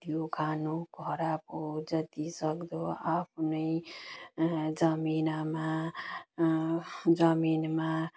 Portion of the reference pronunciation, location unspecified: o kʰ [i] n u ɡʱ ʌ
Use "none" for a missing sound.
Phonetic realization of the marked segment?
a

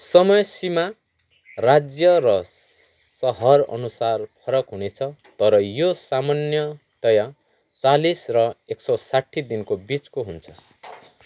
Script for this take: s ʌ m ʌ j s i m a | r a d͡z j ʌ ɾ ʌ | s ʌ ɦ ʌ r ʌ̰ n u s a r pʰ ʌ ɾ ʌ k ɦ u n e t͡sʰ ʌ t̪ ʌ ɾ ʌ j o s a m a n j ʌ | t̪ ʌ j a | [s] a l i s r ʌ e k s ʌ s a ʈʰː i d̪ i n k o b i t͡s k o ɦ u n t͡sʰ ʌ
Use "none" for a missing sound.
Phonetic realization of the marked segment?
t͡s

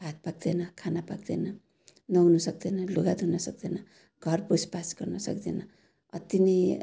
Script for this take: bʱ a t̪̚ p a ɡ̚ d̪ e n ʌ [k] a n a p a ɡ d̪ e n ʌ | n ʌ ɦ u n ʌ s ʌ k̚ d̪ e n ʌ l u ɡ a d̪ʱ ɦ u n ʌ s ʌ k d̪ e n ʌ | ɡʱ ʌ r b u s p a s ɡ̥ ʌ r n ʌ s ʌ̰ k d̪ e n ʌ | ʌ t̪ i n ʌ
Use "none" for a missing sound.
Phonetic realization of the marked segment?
kʰ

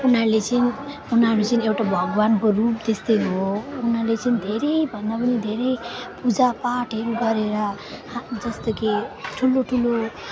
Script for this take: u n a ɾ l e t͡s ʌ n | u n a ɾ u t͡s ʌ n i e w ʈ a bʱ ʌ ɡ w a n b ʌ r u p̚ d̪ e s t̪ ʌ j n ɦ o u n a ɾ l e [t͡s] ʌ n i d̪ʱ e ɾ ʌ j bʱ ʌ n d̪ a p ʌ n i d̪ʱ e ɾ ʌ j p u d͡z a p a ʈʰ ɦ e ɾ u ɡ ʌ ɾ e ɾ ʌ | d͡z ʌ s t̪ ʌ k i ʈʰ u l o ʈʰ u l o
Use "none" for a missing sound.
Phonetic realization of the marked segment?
t͡s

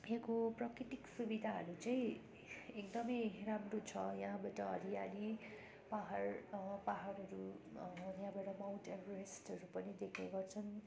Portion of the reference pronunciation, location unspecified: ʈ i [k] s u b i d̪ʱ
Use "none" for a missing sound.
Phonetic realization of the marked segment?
k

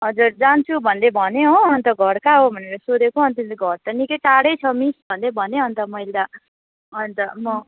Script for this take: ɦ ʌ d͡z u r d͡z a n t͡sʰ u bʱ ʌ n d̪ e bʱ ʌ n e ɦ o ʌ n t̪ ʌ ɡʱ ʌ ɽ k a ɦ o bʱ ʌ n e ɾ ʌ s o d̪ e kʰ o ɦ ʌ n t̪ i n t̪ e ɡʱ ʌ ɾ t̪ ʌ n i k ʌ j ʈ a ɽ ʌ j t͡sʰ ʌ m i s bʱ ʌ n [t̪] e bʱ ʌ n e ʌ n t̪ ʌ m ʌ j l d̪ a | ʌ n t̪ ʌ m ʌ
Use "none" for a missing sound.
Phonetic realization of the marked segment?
d̪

